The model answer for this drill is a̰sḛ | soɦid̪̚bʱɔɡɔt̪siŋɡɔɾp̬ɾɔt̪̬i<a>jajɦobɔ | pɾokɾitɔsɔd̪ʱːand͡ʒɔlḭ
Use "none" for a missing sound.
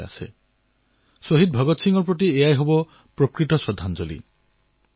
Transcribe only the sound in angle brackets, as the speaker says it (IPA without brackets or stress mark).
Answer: e